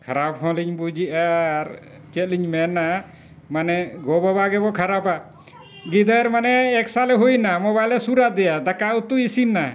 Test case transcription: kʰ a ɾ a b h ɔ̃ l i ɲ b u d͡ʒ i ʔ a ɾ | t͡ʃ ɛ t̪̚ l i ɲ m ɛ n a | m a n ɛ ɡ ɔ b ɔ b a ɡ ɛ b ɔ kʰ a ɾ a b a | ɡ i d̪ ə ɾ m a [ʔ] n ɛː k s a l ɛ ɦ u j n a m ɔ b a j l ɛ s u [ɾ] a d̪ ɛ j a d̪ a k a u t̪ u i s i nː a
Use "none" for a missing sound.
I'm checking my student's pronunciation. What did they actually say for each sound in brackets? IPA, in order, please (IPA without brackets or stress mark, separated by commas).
none, ɾ